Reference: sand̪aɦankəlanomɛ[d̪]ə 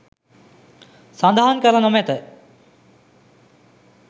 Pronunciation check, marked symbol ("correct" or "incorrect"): incorrect